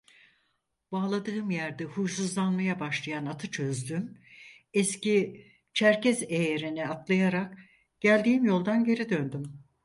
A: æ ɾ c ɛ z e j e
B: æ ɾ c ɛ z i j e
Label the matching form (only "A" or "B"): A